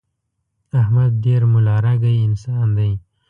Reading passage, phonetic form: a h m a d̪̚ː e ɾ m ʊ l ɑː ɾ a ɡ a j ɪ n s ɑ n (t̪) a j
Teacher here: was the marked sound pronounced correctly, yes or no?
no